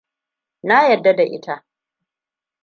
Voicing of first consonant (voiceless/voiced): voiced